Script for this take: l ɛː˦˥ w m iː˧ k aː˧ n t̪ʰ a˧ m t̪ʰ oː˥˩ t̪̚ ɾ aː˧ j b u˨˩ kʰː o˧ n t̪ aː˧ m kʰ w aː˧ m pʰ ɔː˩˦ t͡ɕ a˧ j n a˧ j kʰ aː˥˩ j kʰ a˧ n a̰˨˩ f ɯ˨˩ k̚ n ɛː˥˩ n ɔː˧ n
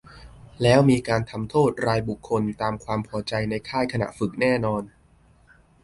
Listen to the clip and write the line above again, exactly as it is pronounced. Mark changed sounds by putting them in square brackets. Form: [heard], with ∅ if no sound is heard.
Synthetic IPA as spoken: l ɛː˦˥ w m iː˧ k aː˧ n t̪ʰ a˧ m t̪ʰ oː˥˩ t̪̚ ɾ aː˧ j b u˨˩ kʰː o˧ n t̪ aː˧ m kʰ w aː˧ m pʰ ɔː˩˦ t͡ɕ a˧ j n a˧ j kʰ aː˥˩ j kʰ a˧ n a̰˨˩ f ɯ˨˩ k̚ n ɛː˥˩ n ɔː˧ n